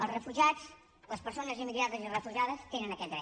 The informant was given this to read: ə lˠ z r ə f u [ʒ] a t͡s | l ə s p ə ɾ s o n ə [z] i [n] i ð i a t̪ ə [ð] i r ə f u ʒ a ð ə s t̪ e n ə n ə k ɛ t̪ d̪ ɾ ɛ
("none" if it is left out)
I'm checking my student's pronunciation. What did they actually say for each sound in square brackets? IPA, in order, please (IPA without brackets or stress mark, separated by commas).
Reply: ʒ, z, m, z